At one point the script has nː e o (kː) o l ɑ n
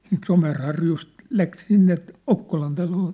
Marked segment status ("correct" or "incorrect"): correct